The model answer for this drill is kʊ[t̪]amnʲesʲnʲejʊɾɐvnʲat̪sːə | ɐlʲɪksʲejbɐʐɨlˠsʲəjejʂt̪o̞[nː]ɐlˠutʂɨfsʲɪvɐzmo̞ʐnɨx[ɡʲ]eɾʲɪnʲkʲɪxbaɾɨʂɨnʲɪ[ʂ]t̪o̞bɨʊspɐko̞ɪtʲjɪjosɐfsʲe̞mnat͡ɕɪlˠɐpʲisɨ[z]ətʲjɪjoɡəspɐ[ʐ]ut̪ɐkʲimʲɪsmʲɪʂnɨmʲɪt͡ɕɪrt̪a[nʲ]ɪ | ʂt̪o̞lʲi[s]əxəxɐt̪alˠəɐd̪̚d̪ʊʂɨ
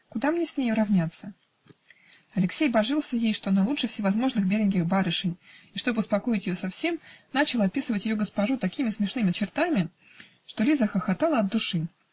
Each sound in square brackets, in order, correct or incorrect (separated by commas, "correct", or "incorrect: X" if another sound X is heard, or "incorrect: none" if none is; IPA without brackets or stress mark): incorrect: d̪, incorrect: n, incorrect: bʲ, correct, incorrect: v, correct, incorrect: mʲ, incorrect: z